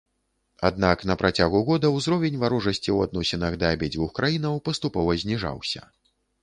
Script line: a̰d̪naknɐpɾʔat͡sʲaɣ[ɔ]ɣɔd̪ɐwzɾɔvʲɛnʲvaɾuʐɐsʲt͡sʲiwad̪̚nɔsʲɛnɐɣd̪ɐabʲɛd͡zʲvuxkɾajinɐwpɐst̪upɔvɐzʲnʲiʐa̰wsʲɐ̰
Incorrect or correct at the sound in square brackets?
incorrect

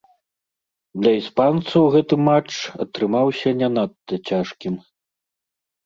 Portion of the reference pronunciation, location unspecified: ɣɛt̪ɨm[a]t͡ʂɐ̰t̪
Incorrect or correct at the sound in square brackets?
correct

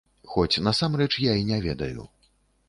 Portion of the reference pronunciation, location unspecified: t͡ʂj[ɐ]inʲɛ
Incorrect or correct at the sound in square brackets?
incorrect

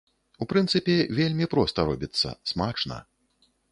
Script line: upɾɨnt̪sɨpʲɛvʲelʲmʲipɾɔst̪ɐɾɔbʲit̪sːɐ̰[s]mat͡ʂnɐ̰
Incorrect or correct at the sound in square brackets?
correct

